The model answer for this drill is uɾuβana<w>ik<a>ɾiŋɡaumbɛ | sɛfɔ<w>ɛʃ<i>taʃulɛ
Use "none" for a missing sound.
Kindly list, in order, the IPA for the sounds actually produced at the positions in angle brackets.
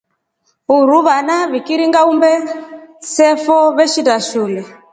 β, i, β, i

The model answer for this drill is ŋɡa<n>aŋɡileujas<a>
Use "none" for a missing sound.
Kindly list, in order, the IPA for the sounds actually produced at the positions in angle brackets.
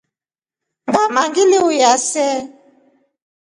m, ɛ

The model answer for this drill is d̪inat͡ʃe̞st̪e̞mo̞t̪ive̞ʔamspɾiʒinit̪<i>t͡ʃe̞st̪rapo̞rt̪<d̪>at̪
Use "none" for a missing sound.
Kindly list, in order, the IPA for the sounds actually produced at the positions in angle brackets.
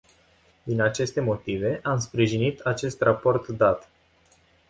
a, d̪

